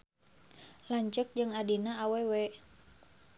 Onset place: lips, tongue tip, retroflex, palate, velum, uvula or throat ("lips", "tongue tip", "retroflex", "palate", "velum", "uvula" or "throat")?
tongue tip